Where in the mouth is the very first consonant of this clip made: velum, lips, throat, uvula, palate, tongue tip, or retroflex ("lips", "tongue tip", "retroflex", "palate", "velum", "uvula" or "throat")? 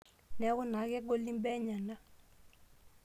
tongue tip